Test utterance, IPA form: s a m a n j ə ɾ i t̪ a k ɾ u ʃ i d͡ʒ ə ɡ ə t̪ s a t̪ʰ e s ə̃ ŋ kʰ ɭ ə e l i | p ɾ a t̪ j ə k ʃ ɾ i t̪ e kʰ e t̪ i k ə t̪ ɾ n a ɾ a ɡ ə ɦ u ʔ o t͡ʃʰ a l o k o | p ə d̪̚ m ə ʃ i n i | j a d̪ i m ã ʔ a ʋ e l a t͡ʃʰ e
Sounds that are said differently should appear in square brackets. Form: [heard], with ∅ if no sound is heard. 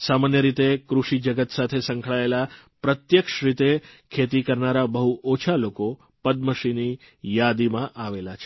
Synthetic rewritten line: s a m a n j ə ɾ i t̪ [e] k ɾ u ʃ i d͡ʒ ə ɡ ə t̪ s a t̪ʰ e s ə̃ ŋ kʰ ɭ [a] e l [a] | p ɾ [ə] t̪ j ə k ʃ ɾ i t̪ e kʰ e t̪ i k ə [∅] ɾ n a ɾ a [b] ə ɦ u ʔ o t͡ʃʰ a l o k o | p ə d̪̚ m ə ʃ i n i | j a d̪ i m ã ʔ a ʋ e l a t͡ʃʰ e